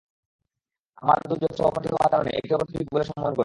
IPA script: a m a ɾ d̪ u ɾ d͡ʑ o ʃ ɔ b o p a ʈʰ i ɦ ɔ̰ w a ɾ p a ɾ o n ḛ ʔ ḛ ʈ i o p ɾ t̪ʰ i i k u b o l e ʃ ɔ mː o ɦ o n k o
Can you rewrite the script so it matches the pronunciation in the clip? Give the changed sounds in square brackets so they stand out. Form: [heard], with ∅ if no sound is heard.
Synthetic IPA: a m a ɾ d̪ u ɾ d͡ʑ o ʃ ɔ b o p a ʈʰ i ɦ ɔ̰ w a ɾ [k] a ɾ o n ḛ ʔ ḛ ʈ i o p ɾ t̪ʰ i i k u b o l e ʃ ɔ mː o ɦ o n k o